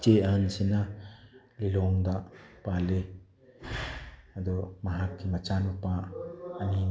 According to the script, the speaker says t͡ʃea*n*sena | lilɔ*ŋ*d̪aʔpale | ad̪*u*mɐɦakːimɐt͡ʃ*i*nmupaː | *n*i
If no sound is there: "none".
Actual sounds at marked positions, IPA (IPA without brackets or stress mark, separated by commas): n, ŋ, ɔ, a, n